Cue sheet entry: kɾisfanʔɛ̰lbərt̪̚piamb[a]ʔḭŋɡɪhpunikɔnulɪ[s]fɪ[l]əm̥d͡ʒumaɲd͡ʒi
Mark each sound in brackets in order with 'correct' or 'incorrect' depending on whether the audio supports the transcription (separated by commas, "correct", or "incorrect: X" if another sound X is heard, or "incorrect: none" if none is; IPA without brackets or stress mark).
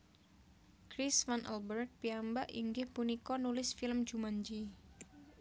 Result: correct, correct, correct